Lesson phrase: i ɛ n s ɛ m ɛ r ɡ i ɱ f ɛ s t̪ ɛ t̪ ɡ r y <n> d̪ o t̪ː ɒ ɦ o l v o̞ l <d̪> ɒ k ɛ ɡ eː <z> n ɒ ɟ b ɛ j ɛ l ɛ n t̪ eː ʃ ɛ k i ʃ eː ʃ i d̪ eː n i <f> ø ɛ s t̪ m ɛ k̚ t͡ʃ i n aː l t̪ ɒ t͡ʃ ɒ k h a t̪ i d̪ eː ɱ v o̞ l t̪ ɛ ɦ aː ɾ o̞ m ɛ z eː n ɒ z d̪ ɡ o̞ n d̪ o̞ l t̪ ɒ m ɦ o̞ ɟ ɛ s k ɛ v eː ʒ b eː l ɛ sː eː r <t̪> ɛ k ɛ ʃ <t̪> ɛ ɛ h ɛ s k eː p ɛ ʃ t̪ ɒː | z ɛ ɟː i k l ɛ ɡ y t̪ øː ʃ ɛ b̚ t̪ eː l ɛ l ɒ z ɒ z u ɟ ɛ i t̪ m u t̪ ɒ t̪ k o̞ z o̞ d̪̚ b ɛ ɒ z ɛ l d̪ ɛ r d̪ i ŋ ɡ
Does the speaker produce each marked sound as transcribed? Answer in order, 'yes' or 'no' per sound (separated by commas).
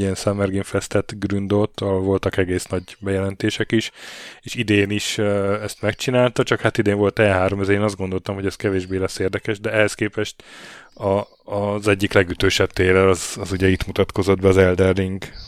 yes, no, no, no, no, no